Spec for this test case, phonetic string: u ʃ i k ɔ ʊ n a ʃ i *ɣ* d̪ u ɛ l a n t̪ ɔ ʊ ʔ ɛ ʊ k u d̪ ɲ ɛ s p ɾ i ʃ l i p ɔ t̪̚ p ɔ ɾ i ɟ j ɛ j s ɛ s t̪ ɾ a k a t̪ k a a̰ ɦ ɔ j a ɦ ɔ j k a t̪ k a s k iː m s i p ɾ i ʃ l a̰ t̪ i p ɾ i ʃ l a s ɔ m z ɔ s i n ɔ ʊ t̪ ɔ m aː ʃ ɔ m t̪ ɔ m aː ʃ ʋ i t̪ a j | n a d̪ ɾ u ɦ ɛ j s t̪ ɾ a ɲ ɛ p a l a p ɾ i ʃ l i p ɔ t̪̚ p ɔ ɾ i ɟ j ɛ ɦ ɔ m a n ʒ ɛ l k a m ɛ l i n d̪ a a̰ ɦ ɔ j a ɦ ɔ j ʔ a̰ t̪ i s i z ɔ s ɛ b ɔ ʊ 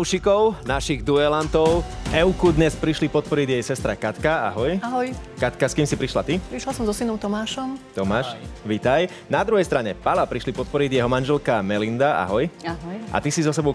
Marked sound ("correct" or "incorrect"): correct